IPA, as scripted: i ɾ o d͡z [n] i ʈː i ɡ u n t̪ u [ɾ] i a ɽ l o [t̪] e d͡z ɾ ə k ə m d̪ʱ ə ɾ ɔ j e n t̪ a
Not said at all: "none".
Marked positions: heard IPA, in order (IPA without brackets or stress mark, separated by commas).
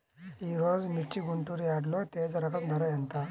m, ɾ, t̪